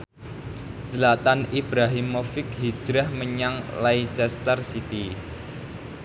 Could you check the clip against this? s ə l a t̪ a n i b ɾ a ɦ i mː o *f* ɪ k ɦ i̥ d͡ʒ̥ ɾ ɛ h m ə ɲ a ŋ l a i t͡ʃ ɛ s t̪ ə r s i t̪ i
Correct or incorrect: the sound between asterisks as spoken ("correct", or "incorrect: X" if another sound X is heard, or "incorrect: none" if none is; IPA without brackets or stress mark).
correct